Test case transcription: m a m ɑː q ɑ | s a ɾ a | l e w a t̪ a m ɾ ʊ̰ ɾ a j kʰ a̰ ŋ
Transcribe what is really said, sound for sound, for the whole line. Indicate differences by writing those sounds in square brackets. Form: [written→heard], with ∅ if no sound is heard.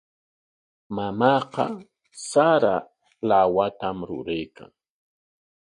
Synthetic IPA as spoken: m a m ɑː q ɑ | s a ɾ a | l [e→a] w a t̪ a m ɾ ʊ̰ ɾ a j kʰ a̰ ŋ